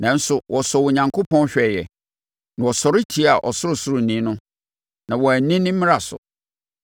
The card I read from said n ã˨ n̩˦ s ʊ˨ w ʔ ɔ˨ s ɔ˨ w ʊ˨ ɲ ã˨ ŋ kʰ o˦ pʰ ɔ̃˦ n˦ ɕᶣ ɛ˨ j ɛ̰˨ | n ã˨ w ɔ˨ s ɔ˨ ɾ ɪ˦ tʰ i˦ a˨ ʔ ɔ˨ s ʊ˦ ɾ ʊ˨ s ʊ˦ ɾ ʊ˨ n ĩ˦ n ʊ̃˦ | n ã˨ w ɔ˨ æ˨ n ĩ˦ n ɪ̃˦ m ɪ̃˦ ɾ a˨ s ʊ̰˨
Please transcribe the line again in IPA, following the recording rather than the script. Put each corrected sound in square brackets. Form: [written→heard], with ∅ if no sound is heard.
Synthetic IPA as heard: n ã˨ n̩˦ s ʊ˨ w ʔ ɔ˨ s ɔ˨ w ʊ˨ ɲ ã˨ ŋ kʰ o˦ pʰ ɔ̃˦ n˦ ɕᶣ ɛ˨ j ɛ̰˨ | n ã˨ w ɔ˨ s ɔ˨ ɾ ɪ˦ tʰ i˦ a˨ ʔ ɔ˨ s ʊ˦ ɾ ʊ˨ s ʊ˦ ɾ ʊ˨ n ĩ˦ n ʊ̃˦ | n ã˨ w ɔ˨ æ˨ n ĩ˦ n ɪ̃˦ m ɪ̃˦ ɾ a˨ s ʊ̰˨